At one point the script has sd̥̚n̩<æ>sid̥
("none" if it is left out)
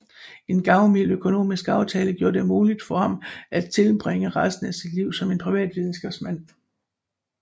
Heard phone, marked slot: æ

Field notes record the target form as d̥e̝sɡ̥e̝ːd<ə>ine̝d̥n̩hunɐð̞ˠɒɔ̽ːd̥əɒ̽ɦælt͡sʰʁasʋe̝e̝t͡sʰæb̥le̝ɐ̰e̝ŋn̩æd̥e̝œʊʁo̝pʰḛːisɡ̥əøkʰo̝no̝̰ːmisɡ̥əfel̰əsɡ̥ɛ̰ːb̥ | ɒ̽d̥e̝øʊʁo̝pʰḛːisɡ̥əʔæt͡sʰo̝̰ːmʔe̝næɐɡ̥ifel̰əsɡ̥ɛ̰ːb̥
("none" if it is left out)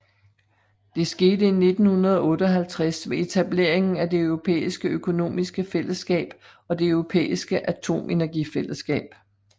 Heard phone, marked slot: ə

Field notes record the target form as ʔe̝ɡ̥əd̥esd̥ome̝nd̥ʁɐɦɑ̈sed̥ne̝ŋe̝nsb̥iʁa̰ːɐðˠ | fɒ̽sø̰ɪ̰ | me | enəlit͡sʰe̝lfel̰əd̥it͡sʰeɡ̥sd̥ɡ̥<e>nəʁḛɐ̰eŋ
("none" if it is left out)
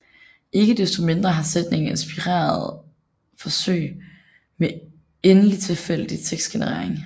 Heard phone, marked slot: e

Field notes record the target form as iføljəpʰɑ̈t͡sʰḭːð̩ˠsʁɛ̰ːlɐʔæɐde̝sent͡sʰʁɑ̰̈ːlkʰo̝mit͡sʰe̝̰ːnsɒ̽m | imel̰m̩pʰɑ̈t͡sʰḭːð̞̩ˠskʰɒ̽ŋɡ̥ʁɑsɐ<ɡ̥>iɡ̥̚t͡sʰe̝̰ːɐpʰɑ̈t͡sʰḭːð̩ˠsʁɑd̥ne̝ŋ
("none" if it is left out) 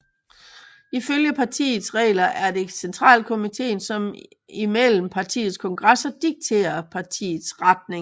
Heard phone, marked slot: d̥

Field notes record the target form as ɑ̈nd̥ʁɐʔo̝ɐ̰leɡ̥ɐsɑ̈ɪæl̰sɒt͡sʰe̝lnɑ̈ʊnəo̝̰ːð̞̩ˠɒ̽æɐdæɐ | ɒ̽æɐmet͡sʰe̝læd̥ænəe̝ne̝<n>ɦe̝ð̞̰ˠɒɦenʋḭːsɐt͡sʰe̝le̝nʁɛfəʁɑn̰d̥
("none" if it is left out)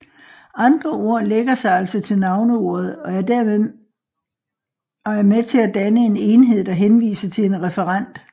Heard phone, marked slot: n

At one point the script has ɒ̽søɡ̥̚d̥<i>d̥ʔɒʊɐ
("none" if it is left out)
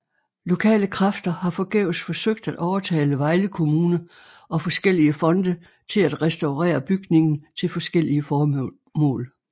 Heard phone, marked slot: æ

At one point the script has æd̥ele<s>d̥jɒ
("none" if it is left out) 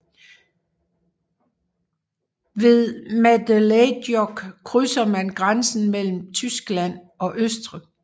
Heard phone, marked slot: none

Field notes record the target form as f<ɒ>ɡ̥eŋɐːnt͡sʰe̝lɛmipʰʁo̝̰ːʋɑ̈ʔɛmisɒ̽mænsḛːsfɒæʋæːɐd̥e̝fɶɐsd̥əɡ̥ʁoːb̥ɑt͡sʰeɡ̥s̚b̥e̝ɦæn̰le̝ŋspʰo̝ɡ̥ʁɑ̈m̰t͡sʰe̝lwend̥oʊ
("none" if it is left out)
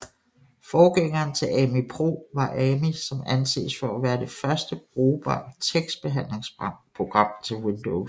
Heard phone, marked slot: ɒː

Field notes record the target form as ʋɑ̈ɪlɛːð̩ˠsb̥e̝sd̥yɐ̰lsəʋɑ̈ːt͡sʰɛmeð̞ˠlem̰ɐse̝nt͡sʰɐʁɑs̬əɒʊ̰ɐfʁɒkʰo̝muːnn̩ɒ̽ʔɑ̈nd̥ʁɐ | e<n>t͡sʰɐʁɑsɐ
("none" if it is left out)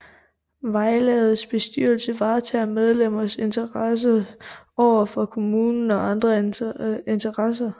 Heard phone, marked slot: n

